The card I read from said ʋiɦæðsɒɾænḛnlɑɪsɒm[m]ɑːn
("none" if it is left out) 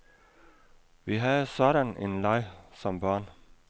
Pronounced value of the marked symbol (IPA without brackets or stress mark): b